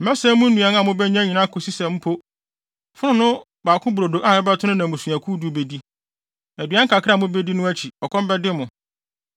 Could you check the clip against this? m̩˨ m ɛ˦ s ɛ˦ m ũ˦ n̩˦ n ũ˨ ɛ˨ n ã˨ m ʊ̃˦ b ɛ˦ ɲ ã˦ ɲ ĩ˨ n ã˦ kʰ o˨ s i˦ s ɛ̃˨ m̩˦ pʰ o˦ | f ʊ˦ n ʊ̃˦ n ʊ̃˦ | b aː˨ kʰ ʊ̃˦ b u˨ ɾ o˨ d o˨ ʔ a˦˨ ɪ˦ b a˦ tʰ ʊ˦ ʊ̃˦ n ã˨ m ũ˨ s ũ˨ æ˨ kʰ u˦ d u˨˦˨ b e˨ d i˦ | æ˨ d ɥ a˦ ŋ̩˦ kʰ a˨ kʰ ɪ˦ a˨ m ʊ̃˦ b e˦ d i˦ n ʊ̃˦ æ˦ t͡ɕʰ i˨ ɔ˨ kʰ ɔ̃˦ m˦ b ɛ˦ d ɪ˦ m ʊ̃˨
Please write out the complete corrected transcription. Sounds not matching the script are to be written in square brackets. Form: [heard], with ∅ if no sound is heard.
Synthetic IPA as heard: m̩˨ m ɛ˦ s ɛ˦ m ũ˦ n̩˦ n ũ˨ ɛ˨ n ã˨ m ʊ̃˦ b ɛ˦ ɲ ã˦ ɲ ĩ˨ n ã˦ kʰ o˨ s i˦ s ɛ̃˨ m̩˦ pʰ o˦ | f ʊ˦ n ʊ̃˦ n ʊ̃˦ | b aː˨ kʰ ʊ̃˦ b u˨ ɾ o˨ d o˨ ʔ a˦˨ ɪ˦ b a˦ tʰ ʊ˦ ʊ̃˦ n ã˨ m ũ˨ s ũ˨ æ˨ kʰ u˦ d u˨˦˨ b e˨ d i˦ | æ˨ d ɥ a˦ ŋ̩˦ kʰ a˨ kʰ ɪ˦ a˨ m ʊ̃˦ b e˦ d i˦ n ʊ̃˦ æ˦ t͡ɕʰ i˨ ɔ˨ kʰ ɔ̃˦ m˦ b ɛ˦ d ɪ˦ m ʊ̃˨